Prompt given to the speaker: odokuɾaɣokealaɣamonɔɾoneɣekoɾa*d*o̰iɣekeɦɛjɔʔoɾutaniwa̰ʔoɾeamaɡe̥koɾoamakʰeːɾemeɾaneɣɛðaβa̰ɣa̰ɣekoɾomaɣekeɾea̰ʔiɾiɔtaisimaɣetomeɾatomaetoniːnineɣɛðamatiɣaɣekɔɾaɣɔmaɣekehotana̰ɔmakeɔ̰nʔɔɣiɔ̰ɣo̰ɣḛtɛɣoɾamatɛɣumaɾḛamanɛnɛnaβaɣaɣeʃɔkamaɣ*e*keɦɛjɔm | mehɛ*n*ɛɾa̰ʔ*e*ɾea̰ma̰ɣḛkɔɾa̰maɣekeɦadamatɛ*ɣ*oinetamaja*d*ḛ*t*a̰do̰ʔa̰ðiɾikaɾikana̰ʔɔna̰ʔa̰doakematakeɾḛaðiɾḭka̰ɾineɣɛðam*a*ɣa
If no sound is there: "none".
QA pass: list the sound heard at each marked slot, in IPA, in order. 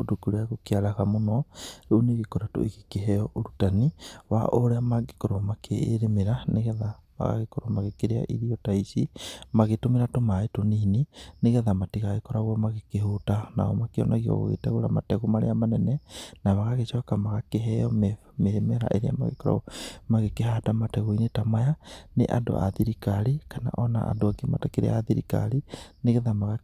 t, a, m, e, ɣ, n, ʔ, a

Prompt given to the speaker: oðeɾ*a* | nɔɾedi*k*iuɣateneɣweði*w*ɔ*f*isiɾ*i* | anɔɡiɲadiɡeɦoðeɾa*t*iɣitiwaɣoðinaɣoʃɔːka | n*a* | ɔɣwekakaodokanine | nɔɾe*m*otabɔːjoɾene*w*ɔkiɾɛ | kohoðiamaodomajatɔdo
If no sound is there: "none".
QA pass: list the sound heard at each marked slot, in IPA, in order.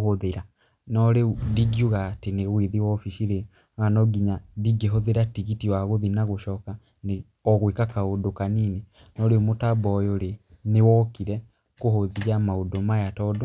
a, ɡ, w, f, e, t, e, m, w

